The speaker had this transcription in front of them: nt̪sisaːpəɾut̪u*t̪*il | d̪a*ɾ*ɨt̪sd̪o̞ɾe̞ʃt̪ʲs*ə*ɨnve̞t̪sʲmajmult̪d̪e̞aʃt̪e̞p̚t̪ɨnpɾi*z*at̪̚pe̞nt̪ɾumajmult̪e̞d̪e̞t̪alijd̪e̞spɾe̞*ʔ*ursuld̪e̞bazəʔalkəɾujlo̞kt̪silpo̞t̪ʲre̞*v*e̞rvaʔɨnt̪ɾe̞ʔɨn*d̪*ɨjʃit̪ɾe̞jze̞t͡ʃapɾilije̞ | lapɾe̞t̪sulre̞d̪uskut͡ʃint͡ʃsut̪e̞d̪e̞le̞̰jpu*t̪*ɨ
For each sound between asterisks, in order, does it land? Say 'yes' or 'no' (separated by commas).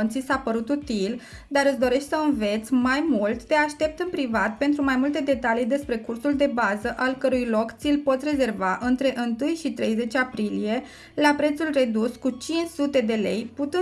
yes, yes, yes, no, no, no, no, yes